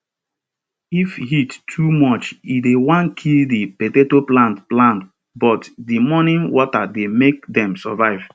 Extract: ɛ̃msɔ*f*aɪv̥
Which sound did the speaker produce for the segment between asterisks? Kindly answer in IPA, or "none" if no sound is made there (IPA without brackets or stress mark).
v